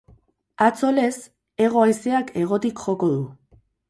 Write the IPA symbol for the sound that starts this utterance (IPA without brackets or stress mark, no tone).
a